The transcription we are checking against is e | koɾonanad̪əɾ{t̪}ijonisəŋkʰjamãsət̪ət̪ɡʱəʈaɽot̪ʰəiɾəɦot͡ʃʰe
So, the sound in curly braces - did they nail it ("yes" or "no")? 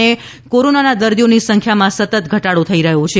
no